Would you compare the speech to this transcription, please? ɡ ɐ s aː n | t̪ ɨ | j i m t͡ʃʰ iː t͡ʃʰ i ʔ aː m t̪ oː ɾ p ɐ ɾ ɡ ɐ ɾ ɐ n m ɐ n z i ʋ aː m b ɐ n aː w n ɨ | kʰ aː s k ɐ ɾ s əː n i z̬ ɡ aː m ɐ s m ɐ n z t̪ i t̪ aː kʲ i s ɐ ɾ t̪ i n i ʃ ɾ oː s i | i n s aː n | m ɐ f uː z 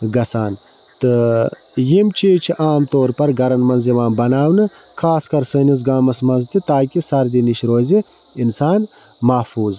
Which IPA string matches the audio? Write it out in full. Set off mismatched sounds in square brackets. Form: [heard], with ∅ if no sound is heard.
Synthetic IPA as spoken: ɡ ɐ s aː n | t̪ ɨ | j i m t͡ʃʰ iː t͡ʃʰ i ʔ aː m t̪ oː ɾ p ɐ ɾ ɡ ɐ ɾ ɐ n m ɐ n z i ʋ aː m b ɐ n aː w n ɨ | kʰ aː s k ɐ ɾ s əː n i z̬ ɡ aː m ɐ s m ɐ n z t̪ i t̪ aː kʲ i s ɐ ɾ [d̪] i n i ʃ ɾ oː [z] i | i n s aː n | m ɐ f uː z